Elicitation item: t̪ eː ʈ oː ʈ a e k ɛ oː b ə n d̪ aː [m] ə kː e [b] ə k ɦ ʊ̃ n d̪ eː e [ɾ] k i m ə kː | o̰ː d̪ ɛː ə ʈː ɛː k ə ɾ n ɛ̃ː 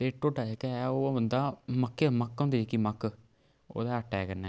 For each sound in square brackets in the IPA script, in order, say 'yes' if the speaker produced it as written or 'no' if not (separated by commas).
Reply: yes, no, no